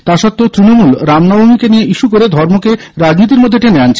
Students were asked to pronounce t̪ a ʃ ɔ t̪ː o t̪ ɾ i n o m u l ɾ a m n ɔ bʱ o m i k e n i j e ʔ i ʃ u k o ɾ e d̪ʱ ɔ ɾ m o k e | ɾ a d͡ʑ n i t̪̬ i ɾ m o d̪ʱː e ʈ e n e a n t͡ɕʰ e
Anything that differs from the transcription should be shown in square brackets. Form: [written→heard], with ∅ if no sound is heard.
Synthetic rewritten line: t̪ a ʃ ɔ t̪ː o t̪ ɾ i n o m u l ɾ a m n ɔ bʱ o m i k e n i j e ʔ i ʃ u k o ɾ e d̪ʱ ɔ ɾ m o k e | ɾ a d͡ʑ n i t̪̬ i ɾ m o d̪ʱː e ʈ e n e a n t͡ɕʰ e